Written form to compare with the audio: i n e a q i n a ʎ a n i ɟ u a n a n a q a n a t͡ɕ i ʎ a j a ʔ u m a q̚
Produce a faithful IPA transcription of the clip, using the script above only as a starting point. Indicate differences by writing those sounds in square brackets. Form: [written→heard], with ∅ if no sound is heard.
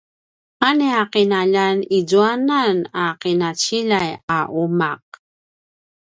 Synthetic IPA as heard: [i→a] n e a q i n a ʎ a n i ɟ u a n a n a q [a→i] n a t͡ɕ i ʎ a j a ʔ u m a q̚